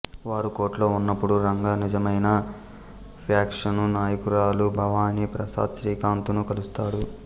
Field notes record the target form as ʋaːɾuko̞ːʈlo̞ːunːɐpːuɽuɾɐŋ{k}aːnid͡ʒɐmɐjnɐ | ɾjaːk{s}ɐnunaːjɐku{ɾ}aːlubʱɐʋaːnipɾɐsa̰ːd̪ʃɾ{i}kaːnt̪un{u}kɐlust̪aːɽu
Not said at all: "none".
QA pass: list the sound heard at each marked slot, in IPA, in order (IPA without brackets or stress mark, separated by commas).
ɡ, ʂ, ɾ, iː, u